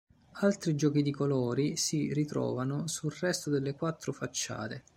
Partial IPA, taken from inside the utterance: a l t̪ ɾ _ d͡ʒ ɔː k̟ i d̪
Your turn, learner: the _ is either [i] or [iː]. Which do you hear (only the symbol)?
i